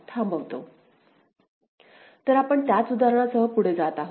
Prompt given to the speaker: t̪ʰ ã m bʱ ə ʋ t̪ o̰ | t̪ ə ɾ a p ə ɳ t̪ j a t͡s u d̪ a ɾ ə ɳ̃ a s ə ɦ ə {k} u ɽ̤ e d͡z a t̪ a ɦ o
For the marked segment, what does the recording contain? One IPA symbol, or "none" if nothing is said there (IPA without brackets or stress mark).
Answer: p